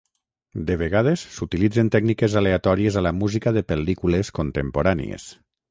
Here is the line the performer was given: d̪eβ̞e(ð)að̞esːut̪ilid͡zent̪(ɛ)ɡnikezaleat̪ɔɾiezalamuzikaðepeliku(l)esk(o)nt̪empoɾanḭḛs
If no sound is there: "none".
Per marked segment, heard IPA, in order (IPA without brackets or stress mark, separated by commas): ɣ, ɛ, l, o